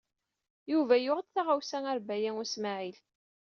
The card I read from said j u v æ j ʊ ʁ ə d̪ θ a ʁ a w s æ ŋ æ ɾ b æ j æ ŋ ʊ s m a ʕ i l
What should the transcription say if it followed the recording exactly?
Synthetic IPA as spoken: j u v æ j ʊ ʁ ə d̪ θ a ʁ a w s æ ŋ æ ɾ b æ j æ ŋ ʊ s m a ʕ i l